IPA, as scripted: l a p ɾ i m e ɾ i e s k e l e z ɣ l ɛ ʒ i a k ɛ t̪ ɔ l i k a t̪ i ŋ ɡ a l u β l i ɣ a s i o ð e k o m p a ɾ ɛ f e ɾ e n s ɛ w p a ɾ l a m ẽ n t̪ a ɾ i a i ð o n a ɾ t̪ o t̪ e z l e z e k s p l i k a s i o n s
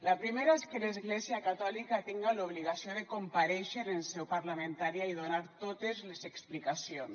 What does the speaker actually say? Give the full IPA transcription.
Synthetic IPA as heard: l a p ɾ i m e ɾ a e s k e l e z ɣ l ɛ z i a k a t̪ ɔ l i k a t̪ i ŋ ɡ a l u β l i ɣ a s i o ð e k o m p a ɾ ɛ ʃ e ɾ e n s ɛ w p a ɾ l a m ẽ n t̪ a ɾ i a i ð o n a ɾ t̪ o t̪ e z l e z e k s p l i k a s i o n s